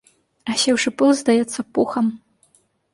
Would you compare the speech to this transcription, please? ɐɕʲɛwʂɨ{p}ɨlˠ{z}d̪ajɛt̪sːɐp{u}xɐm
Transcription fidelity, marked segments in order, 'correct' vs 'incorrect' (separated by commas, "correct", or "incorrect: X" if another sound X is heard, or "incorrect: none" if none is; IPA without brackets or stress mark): correct, correct, correct